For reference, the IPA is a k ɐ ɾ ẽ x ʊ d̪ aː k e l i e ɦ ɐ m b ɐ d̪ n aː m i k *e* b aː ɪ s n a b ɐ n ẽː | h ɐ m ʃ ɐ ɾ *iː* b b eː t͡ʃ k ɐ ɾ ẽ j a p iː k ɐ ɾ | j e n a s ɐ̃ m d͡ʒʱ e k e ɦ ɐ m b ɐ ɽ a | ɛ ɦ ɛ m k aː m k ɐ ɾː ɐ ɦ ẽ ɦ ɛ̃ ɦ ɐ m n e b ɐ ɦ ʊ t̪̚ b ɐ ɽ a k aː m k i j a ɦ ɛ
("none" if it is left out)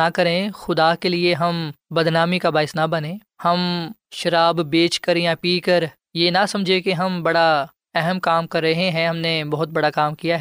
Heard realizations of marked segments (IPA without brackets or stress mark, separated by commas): a, aː